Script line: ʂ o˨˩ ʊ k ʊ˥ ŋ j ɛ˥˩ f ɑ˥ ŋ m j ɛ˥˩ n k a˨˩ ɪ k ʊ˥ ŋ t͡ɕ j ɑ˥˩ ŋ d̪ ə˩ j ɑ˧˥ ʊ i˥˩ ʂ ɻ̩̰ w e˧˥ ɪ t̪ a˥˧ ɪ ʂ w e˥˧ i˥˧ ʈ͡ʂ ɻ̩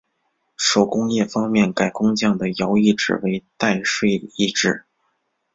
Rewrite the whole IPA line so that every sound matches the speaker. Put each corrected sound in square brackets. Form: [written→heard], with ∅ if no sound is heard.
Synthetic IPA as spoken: ʂ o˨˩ ʊ k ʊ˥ ŋ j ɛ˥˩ f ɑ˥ ŋ m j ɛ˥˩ n k a˨˩ ɪ k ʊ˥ ŋ t͡ɕ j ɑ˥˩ ŋ d̪ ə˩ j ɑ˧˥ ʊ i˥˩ [ʂ→ʈ͡ʂ] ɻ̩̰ w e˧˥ ɪ t̪ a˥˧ ɪ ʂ w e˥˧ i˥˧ ʈ͡ʂ ɻ̩